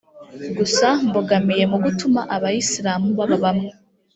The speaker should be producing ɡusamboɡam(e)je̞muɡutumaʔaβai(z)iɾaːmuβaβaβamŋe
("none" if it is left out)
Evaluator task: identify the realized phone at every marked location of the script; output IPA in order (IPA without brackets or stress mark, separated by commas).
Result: i, s